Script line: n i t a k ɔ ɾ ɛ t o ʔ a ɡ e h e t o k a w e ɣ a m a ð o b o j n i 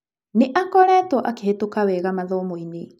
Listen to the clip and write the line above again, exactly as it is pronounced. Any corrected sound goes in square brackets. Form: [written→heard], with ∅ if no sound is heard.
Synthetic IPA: n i [t→ʔ] a k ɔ ɾ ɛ t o ʔ a [ɡ→k] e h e t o k a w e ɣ a m a ð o [b→m] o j n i